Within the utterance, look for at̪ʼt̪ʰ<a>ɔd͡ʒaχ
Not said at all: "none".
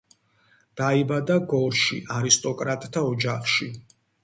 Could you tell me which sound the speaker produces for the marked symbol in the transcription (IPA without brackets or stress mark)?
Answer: a